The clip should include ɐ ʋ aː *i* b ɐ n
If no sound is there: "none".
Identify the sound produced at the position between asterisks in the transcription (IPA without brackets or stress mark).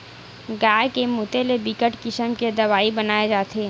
i